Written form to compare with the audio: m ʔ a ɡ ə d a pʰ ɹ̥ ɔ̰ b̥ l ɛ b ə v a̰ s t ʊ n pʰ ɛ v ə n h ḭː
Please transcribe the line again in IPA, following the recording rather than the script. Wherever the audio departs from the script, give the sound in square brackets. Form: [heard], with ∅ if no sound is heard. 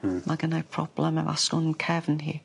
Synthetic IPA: m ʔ a ɡ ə [n] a pʰ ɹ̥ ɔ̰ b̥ l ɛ [m] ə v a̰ s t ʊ n [kʰ] ɛ v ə n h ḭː